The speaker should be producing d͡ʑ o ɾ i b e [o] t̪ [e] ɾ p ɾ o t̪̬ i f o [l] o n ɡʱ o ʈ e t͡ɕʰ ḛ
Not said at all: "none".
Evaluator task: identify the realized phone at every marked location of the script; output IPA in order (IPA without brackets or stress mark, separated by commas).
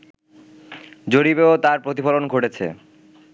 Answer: o, a, l